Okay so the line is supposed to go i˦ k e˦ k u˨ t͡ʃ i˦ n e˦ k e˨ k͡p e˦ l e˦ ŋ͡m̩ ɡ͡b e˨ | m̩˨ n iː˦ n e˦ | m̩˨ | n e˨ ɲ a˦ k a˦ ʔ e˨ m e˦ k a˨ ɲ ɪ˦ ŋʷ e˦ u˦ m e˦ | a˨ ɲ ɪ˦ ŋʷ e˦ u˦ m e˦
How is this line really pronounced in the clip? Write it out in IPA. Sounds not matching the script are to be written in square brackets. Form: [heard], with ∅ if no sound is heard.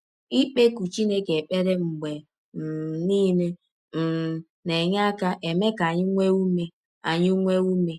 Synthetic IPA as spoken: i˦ [k͡p] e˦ k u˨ t͡ʃ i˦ n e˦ k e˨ k͡p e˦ [ɾ] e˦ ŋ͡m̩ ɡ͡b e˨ | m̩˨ n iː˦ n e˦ | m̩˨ | n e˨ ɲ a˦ k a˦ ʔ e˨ m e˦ k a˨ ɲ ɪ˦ ŋʷ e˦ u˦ m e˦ | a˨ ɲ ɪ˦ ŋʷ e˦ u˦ m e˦